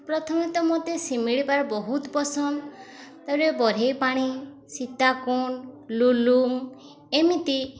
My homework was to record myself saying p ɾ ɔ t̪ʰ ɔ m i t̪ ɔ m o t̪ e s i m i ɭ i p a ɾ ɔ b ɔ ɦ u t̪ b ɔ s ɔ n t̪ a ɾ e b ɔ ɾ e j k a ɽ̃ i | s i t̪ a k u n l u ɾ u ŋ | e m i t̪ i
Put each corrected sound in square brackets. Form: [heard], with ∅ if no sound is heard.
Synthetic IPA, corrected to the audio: p ɾ ɔ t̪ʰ ɔ m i t̪ ɔ m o t̪ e s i m i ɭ i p a ɾ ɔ b ɔ ɦ u t̪ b ɔ s ɔ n t̪ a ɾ e b ɔ ɾ e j [p] a ɽ̃ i | s i t̪ a k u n l u [l] u ŋ | e m i t̪ i